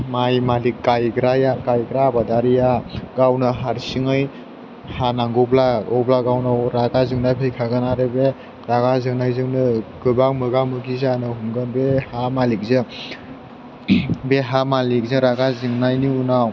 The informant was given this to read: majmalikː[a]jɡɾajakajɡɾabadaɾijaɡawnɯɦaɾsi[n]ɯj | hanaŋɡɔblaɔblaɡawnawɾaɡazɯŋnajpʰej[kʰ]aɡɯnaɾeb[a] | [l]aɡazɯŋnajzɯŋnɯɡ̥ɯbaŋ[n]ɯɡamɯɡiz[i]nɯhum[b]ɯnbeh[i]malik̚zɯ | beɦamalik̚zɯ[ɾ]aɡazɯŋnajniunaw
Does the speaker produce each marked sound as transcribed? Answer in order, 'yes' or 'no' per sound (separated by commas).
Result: yes, no, yes, no, no, no, no, no, no, yes